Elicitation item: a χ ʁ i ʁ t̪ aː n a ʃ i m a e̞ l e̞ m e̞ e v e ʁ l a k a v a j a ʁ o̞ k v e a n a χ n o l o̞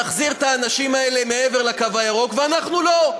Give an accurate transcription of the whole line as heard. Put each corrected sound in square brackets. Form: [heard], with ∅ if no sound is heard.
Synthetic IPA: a χ [z] i ʁ t̪ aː n a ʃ i m a e̞ l e̞ m e̞ e v e ʁ l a k a v a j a ʁ o̞ k v e a n a χ n [u] l o̞